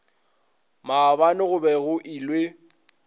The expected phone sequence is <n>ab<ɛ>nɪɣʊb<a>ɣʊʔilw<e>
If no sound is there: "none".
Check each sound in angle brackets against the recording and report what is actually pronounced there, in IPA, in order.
m, a, ɛ, e

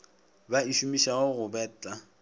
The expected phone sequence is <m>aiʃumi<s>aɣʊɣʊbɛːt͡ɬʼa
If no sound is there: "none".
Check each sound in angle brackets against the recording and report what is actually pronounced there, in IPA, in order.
b, ʃ

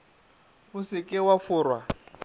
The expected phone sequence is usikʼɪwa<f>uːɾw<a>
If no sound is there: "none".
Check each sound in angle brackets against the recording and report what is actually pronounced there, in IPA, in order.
f, a

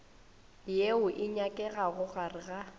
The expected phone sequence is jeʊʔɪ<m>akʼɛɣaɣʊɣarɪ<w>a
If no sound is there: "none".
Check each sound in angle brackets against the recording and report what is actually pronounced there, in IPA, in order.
ɲ, ɣ

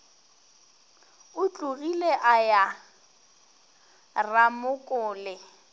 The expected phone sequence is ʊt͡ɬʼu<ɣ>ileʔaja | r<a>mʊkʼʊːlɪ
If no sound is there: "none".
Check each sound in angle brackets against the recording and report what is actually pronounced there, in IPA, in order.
ɣ, a

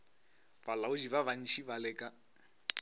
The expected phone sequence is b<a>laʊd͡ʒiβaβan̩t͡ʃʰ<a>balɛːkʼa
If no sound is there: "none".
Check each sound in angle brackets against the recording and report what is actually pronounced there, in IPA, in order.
a, i

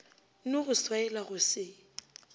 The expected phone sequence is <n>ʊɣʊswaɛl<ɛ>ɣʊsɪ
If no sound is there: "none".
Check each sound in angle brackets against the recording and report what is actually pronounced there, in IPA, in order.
n, a

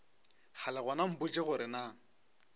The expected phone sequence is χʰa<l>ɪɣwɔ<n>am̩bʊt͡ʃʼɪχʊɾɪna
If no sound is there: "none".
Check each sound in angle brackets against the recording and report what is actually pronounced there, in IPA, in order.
l, n

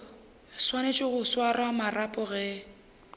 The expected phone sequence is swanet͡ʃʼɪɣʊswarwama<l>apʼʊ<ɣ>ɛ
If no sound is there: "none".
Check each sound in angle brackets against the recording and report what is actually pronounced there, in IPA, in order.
r, ɣ

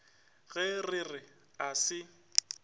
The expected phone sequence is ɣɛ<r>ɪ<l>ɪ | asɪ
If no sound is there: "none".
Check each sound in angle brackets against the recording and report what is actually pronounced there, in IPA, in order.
r, r

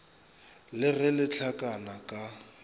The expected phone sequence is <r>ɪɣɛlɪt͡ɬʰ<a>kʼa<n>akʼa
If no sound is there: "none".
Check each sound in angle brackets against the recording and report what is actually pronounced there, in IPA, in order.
l, a, n

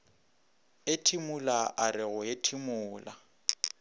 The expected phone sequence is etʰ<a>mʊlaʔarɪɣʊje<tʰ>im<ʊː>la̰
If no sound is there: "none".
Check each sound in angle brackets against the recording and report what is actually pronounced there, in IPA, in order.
i, tʰ, ʊː

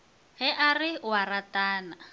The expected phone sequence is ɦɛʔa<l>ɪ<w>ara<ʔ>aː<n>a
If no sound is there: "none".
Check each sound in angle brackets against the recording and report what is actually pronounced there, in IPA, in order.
r, w, t, n

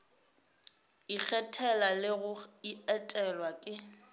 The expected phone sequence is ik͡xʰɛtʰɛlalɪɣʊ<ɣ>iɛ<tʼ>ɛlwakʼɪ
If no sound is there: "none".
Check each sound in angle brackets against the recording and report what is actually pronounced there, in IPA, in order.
none, tʼ

